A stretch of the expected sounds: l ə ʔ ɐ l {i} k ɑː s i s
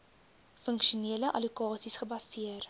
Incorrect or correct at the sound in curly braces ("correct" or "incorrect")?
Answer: correct